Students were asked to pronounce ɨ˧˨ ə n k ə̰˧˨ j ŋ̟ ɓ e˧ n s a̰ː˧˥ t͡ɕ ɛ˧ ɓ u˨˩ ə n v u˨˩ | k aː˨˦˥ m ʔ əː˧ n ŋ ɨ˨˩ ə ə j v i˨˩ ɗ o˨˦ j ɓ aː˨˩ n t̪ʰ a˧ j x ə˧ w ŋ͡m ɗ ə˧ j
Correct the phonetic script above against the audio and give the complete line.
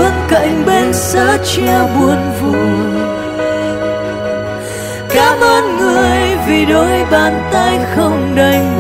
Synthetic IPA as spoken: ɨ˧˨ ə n k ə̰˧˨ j ŋ̟ ɓ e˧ n s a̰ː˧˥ t͡ɕ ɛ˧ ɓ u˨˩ ə n v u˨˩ | k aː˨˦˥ m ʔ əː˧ n ŋ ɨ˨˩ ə ə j v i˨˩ ɗ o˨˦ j ɓ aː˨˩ n t̪ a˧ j x ə˧ w ŋ͡m ɗ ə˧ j